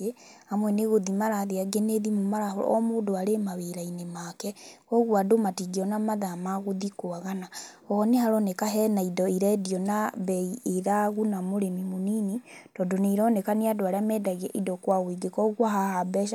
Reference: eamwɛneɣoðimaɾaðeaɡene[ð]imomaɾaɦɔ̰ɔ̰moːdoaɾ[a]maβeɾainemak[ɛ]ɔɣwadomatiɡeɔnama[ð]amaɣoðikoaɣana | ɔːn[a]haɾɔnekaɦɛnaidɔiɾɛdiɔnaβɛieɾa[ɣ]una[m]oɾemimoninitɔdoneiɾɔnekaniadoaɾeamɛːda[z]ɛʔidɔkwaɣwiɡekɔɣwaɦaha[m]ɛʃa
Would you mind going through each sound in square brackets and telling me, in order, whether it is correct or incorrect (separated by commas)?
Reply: correct, incorrect, correct, correct, incorrect, correct, correct, incorrect, incorrect